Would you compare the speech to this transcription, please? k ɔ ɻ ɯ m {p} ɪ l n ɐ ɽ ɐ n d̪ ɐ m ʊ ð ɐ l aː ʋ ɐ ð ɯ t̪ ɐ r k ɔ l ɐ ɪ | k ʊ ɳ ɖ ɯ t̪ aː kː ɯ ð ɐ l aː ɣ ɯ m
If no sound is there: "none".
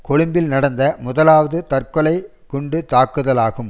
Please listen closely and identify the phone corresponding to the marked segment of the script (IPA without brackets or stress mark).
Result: b